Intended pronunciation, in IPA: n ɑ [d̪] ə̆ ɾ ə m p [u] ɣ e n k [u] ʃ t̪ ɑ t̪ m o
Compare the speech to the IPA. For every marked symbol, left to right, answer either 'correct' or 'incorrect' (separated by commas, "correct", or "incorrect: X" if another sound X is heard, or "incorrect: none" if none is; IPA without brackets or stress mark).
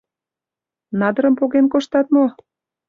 correct, incorrect: o, incorrect: o